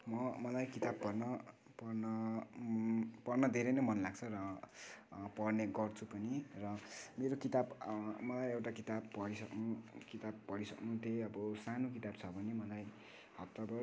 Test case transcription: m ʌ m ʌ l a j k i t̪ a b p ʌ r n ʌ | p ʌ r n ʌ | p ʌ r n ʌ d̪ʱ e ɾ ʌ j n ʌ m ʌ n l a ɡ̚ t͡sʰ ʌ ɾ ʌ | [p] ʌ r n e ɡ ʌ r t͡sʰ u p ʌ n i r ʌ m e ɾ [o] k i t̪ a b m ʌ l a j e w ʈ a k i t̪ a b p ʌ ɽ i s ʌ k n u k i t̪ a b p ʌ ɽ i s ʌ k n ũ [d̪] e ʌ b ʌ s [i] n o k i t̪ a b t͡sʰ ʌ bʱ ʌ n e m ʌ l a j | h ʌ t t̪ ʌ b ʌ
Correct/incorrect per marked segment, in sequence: correct, correct, incorrect: t̪, incorrect: a

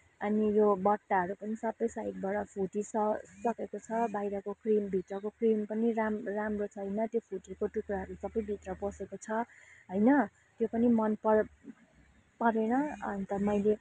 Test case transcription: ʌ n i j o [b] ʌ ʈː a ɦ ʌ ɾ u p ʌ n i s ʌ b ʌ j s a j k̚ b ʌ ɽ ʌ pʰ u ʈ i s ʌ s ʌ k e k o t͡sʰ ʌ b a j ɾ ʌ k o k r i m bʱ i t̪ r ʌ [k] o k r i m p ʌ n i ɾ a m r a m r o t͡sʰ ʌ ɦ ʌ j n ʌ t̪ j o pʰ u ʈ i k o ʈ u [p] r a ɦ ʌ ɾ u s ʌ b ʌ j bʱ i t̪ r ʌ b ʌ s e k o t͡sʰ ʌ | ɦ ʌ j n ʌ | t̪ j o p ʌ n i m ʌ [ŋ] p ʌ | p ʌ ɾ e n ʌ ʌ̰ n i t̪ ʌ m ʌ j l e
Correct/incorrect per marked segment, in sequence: correct, correct, incorrect: k, incorrect: n

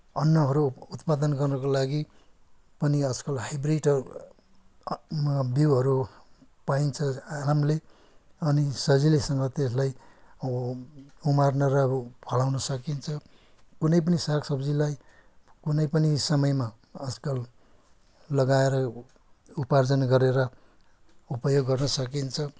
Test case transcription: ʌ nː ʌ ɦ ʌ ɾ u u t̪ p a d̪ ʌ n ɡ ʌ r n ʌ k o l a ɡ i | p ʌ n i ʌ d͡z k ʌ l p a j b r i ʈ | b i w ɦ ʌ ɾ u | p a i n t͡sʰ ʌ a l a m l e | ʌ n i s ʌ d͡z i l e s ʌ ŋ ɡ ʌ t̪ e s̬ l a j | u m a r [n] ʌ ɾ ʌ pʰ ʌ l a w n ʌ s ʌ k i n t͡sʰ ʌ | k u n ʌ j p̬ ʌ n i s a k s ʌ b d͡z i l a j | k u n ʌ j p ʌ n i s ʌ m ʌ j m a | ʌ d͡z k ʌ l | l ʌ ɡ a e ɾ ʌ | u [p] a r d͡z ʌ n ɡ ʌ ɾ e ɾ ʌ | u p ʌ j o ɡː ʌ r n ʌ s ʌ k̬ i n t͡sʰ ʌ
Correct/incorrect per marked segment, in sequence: correct, correct

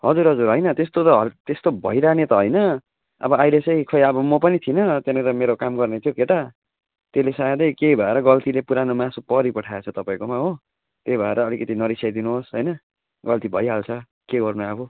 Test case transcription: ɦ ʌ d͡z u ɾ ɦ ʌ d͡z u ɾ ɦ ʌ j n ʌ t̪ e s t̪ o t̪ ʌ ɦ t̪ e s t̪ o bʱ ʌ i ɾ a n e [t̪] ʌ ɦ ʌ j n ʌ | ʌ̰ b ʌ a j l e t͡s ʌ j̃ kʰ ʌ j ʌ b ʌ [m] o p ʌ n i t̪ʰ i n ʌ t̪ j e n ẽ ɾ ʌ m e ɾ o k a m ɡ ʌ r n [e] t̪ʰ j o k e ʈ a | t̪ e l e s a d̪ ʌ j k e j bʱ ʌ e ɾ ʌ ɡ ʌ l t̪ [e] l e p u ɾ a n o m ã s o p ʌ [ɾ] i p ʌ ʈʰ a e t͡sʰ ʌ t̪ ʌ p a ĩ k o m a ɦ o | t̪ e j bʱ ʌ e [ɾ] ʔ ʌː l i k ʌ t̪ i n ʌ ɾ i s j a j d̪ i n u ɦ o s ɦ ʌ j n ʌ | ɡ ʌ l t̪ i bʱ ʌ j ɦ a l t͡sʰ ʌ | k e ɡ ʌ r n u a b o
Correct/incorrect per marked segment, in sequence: correct, correct, correct, incorrect: i, correct, correct

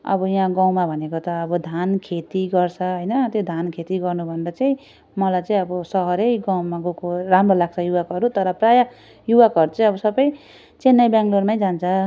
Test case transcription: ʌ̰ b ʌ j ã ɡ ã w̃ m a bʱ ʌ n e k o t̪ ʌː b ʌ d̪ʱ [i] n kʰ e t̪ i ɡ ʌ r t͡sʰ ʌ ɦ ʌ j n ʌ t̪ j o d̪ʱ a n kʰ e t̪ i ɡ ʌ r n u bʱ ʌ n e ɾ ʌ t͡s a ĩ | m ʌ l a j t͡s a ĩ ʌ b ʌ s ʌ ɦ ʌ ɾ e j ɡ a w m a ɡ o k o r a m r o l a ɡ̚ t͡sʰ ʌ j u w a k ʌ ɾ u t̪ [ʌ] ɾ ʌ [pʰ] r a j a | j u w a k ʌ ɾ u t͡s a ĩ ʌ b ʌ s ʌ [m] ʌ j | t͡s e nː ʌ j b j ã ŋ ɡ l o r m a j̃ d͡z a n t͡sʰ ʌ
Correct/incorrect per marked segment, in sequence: incorrect: a, correct, incorrect: p, incorrect: b

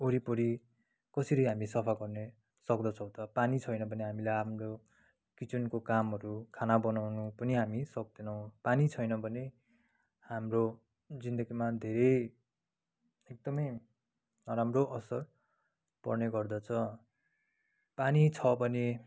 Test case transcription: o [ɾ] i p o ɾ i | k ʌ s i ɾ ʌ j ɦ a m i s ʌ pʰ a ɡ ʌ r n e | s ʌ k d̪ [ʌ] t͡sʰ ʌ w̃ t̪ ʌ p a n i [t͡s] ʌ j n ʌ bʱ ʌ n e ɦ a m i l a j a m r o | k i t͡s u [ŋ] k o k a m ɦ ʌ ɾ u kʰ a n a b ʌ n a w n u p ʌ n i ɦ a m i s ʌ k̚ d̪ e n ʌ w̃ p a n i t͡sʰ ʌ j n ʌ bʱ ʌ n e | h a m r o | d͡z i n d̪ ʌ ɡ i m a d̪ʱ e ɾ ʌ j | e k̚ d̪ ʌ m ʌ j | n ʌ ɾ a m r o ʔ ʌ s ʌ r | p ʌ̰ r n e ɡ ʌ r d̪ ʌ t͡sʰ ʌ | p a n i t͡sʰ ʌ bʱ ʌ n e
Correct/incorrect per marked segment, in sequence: correct, correct, incorrect: t͡sʰ, incorrect: n

